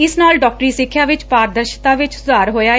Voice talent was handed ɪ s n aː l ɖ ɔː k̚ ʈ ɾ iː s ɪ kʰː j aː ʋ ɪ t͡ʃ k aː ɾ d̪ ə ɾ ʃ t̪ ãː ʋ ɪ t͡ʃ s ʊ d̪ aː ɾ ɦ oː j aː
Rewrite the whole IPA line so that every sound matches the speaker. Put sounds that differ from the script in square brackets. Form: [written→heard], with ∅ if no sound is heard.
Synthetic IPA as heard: ɪ s n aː l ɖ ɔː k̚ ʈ ɾ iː s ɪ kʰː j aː ʋ ɪ t͡ʃ [k→p] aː ɾ d̪ ə ɾ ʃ t̪ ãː ʋ ɪ t͡ʃ s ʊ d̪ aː ɾ ɦ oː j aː